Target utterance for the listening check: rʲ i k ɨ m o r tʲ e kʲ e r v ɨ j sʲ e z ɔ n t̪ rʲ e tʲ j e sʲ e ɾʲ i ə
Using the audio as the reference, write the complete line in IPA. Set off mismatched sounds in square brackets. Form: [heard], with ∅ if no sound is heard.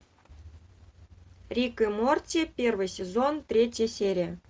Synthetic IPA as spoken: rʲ i k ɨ m o r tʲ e [pʲ] e r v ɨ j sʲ e z [o] n t̪ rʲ e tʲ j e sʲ e ɾʲ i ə